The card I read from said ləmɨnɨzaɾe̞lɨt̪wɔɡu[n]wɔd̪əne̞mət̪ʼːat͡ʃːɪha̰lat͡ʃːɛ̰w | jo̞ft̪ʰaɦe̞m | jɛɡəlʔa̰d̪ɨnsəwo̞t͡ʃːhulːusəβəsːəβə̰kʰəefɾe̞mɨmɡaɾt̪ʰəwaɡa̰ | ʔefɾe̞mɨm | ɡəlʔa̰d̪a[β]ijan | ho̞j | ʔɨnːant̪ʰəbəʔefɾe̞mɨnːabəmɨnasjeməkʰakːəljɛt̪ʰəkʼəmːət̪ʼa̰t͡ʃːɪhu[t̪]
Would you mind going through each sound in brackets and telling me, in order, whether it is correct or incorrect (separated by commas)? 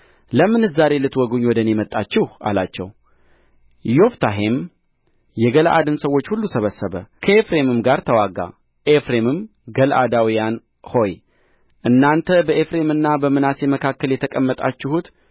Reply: incorrect, incorrect, correct